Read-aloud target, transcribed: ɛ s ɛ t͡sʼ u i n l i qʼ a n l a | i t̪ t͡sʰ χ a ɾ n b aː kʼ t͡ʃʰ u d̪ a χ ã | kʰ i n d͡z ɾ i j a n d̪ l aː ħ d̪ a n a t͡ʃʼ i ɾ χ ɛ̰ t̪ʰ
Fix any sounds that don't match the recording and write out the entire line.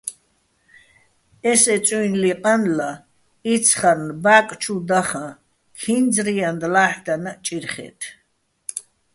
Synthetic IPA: ɛ s ɛ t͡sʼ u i n l i qʼ a n l a | i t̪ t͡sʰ χ a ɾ n b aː kʼ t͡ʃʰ u d̪ a χ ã | kʰ i n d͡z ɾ i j a n d̪ l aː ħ d̪ a n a t͡ʃʼ i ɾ χ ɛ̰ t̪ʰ